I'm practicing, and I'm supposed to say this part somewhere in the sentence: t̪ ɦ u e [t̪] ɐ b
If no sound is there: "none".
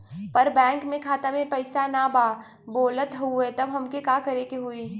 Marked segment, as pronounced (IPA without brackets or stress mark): t̪